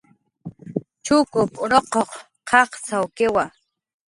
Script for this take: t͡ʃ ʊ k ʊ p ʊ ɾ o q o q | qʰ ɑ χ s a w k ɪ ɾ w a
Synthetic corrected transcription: t͡ʃ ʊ k ʊ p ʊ ɾ o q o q | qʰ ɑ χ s a w k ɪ w a